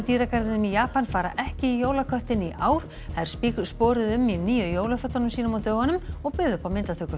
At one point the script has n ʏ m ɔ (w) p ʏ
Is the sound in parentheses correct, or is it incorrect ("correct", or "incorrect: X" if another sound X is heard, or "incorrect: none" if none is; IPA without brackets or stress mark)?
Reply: incorrect: ɣ